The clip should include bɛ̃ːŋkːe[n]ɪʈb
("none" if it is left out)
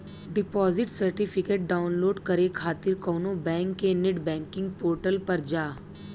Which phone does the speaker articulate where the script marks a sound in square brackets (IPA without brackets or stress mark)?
n